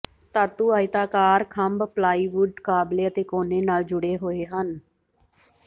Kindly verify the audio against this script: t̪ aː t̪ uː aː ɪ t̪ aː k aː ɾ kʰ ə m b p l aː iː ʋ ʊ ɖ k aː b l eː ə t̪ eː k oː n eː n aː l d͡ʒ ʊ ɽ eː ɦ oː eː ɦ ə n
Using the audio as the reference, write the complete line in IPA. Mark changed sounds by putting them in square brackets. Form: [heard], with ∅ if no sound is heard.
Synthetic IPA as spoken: t̪ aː t̪ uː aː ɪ t̪ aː k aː ɾ kʰ ə m b p l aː iː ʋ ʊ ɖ k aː b l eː ə t̪ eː k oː n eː n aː l d͡ʒ ʊ ɽ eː ɦ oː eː ɦ ə n